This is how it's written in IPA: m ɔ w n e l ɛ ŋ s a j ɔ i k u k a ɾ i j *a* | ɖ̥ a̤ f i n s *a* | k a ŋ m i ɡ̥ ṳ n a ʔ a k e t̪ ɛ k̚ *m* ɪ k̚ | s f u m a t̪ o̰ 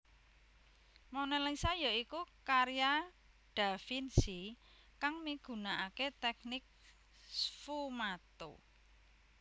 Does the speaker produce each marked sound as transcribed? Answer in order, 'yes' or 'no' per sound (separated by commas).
yes, no, no